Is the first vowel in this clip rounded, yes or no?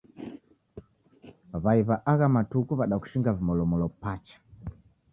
no